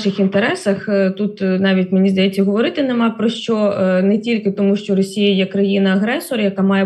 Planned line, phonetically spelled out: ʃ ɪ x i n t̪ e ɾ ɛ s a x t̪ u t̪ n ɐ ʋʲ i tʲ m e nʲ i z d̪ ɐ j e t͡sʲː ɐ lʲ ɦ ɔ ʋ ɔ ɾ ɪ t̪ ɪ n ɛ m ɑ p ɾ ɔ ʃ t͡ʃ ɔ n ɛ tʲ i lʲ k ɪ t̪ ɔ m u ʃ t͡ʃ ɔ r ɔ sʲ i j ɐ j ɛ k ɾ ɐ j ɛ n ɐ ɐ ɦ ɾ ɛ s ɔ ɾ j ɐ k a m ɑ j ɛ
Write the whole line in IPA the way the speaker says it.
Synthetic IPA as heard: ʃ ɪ x i n t̪ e ɾ ɛ s ɐ x t̪ u t̪ n ɑ ʋʲ i tʲ m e nʲ i z d̪ ɐ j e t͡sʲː ɐ ɦ ɔ ʋ ɔ ɾ ɪ t̪ ɪ n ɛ m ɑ p ɾ ɔ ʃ t͡ʃ ɔ n ɛ tʲ i lʲ k ɪ t̪ ɔ m u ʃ t͡ʃ ɔ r ɔ sʲ i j ɐ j ɛ k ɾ ɐ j i n ɐ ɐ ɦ ɾ ɛ s ɔ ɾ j ɐ k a m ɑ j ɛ